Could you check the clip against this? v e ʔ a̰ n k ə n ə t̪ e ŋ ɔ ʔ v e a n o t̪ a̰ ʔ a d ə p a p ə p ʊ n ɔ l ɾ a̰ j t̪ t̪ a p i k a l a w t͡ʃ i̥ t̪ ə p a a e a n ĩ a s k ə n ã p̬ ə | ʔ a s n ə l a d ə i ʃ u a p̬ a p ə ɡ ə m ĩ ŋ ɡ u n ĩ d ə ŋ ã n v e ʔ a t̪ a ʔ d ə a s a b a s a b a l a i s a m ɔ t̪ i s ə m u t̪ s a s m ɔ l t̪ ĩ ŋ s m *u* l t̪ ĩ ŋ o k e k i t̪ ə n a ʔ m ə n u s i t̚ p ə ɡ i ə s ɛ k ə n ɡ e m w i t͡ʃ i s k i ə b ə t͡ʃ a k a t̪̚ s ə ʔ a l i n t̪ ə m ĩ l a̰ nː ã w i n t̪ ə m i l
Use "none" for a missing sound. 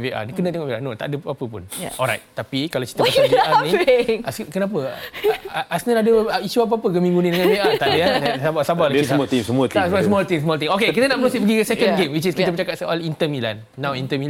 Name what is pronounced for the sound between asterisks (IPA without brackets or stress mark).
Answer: ɔ